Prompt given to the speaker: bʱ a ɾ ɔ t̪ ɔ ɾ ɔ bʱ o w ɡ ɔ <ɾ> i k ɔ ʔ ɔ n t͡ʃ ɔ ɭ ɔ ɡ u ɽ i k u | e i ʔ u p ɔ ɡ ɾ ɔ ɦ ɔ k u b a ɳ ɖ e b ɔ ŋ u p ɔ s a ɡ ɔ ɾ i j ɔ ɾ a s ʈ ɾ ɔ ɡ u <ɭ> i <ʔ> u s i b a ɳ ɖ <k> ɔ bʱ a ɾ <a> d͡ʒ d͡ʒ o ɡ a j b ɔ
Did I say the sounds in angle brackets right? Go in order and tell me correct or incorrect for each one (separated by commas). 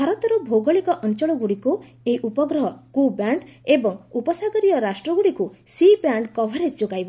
incorrect, incorrect, incorrect, correct, incorrect